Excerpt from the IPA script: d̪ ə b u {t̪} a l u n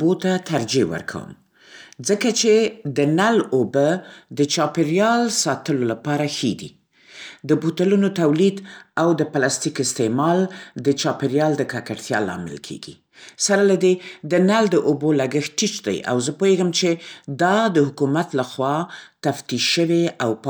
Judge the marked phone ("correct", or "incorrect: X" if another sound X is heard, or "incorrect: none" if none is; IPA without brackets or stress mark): correct